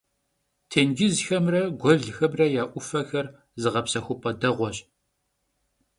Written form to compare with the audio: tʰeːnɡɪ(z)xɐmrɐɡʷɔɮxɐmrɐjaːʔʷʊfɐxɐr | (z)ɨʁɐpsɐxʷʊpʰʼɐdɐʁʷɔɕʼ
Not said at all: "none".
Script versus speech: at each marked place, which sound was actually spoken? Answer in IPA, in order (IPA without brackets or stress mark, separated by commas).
z, z